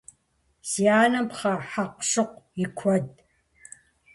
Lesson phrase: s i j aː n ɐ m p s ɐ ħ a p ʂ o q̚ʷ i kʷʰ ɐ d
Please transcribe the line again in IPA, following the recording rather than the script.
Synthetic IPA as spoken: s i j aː n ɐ m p χ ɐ ħ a q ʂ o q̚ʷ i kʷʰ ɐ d

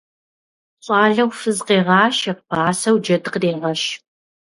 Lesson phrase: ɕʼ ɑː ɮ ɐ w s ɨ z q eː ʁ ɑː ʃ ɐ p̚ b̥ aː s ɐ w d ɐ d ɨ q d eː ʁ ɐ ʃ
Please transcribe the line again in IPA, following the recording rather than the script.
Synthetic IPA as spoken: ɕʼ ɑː ɮ ɐ w f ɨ z q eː ʁ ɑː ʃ ɐ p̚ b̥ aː s ɐ w d͡ʒ ɐ d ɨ q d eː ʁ ɐ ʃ

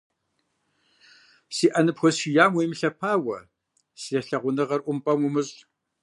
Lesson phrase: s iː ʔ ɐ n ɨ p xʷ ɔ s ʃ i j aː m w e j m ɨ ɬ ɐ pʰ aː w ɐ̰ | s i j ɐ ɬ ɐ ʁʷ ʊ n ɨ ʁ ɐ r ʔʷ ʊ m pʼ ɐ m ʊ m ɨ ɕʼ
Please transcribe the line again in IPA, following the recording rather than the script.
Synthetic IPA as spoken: s iː ʔ ɐ n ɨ p xʷ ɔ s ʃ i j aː m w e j m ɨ ɬ ɐ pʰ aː w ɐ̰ | s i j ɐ ɬ ɐ ʁʷ ʊ n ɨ ʁ ɐ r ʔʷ ʊ m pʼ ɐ m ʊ m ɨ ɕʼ

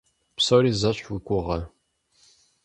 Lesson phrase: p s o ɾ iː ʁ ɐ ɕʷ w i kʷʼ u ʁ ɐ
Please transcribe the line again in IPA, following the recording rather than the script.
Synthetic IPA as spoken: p s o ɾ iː z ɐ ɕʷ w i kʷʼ ʊ ʁ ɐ

